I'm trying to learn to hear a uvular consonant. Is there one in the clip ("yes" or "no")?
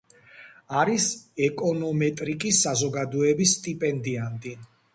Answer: no